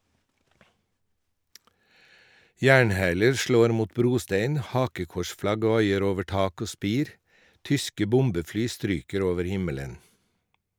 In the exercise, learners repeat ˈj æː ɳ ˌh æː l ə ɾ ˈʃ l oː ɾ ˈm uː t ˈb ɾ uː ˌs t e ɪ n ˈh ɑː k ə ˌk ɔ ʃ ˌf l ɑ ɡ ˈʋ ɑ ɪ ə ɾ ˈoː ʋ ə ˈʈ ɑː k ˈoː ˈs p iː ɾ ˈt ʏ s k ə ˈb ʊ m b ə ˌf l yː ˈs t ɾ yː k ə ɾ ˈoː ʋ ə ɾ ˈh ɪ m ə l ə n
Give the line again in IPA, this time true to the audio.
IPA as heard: ˈj æː ɳ ˌh æː l ə ɾ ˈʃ l oː ɾ ˈm uː t ˈb ɾ uː ˌs t e ɪ n ˈh ɑː k ə ˌk ɔ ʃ ˌf l ɑ ɡ ˈʋ ɑ ɪ ə ɾ ˈoː ʋ ə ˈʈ ɑː k ˈoː ˈs p iː ɾ ˈt ʏ s k ə ˈb ʊ m b ə ˌf l yː ˈs t ɾ yː k ə ɾ ˈoː ʋ ə ɾ ˈh ɪ m ə l ə n